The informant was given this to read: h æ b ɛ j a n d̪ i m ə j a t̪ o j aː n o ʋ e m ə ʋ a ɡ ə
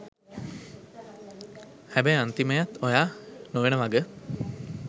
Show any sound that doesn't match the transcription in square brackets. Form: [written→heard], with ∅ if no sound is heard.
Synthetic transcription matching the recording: h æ b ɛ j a n [d̪→t̪] i m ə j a t̪ o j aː n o ʋ e [m→n] ə ʋ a ɡ ə